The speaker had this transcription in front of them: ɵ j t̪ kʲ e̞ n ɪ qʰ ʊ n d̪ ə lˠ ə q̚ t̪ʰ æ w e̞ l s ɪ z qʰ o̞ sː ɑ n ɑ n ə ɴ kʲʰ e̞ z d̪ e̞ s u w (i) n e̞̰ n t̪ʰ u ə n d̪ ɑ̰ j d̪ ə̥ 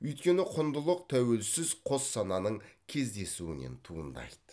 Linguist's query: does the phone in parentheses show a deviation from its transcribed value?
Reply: yes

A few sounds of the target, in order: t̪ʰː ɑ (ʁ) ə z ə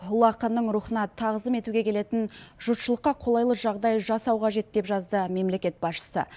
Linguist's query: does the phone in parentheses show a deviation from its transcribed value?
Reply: no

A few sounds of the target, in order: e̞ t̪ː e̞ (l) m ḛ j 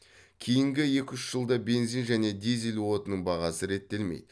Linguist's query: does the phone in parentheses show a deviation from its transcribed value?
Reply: no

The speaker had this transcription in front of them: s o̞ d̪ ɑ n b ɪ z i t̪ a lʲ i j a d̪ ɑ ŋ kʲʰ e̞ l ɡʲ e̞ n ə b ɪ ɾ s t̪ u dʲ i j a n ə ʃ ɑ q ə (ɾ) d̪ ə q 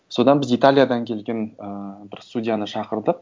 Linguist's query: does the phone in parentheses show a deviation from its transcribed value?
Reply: no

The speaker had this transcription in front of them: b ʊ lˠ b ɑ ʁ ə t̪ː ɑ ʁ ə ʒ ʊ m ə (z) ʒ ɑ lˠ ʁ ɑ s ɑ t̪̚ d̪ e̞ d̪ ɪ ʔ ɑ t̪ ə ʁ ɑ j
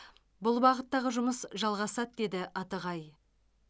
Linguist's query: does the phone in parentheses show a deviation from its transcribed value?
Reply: yes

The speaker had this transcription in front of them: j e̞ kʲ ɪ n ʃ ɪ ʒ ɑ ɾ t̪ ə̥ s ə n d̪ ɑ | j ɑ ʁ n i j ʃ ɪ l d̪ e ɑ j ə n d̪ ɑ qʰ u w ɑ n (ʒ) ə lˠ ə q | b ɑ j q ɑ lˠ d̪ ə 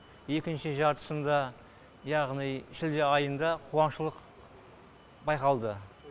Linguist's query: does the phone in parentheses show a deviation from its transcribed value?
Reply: yes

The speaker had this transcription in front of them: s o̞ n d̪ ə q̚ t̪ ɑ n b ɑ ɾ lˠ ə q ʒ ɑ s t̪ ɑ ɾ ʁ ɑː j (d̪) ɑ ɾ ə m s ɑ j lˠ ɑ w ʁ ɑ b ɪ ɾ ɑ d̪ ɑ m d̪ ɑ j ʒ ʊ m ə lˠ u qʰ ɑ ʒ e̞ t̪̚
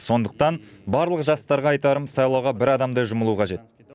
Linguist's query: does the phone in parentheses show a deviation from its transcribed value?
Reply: yes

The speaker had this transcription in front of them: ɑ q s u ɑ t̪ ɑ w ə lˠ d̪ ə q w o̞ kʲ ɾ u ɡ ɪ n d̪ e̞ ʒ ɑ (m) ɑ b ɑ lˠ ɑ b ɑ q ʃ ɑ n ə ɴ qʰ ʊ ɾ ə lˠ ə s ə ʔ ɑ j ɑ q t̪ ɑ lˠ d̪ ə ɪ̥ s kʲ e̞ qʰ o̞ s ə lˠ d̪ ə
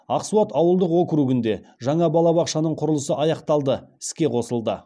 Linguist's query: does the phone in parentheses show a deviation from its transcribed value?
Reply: yes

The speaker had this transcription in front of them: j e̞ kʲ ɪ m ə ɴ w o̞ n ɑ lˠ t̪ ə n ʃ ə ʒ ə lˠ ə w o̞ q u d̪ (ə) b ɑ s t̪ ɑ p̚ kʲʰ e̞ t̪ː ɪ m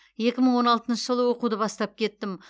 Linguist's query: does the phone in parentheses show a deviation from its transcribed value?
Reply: no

